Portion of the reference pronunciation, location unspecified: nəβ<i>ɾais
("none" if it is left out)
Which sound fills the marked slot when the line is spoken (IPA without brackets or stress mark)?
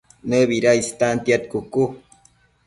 i